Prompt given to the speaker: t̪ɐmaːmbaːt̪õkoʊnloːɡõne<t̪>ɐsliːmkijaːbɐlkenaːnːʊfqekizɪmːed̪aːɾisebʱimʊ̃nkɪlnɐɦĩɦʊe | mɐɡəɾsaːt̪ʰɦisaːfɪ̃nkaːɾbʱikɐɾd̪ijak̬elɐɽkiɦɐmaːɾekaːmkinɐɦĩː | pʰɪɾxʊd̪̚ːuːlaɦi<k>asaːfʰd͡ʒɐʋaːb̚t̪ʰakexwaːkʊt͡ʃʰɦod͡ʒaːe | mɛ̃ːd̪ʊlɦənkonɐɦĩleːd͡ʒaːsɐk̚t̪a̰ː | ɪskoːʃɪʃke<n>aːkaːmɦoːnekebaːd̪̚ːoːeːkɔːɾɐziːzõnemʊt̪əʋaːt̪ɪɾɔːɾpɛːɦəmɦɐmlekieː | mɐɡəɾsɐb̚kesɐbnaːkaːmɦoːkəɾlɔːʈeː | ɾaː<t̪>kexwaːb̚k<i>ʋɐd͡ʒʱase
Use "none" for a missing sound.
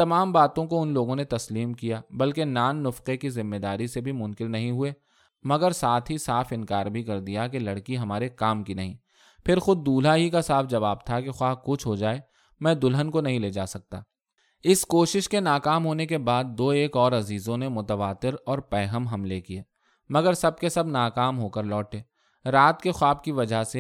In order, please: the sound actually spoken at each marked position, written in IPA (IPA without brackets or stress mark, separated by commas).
t̪, k, n, t̪, i